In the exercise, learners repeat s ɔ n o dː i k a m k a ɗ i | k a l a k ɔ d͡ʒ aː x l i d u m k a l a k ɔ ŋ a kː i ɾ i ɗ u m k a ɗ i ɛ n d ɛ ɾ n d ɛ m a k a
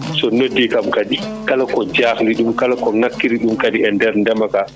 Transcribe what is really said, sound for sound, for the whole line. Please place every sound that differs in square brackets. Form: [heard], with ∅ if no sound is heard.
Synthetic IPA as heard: s ɔ n o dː i k a m k a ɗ i | k a l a k ɔ d͡ʒ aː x l i [ɗ] u m k a l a k ɔ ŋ a kː i ɾ i ɗ u m k a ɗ i ɛ n d ɛ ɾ n d ɛ m a k a